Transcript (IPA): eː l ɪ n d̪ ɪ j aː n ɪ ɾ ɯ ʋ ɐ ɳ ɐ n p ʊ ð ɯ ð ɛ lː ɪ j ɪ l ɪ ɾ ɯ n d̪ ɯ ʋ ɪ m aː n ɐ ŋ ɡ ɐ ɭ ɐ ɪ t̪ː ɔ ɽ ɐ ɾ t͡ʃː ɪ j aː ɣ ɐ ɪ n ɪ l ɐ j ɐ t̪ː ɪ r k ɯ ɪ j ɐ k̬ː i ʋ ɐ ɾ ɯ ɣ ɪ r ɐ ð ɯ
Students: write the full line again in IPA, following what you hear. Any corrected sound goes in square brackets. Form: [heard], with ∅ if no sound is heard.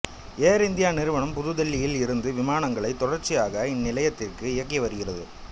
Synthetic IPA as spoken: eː [ɾ] ɪ n d̪ ɪ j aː n ɪ ɾ ɯ ʋ ɐ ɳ ɐ [m] p ʊ ð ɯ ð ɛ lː ɪ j ɪ l ɪ ɾ ɯ n d̪ ɯ ʋ ɪ m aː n ɐ ŋ ɡ ɐ ɭ ɐ ɪ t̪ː ɔ ɽ ɐ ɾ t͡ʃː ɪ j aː ɣ ɐ ɪ [nː] ɪ l ɐ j ɐ t̪ː ɪ r k ɯ ɪ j ɐ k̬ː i ʋ ɐ ɾ ɯ ɣ ɪ r ɐ ð ɯ